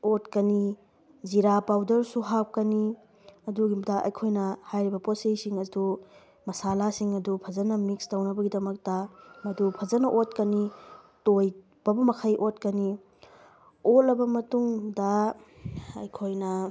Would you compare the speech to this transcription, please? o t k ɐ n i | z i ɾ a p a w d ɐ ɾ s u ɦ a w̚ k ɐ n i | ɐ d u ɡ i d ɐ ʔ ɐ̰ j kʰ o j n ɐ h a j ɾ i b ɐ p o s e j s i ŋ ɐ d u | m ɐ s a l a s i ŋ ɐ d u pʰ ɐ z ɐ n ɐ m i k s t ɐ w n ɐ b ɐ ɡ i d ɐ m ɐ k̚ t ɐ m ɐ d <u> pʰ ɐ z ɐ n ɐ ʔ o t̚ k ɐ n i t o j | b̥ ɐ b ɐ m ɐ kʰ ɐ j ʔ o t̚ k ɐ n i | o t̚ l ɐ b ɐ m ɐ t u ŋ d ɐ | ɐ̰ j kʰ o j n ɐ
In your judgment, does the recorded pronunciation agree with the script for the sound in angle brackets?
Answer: yes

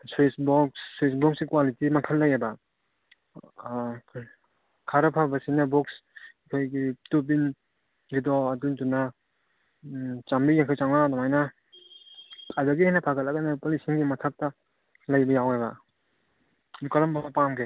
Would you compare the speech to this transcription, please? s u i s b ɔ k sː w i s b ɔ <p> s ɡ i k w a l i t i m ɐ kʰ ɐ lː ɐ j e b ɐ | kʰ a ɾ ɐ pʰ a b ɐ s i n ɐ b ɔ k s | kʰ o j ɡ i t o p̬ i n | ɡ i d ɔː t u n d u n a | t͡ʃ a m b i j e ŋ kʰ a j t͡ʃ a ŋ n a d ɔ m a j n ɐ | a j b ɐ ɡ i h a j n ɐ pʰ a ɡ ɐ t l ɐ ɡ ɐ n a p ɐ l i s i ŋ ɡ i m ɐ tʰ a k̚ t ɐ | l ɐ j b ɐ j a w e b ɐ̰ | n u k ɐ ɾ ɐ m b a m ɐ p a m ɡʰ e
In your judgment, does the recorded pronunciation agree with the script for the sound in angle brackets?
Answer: no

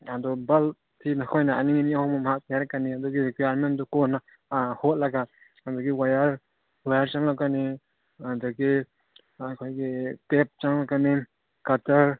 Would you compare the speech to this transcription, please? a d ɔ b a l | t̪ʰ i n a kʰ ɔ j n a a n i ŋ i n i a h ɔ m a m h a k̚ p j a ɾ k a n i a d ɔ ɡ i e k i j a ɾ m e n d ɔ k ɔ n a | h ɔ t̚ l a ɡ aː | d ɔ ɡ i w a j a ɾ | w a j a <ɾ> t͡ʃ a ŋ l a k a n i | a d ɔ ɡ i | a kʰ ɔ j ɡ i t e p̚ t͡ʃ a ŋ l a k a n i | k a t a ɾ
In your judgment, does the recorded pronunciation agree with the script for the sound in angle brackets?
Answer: yes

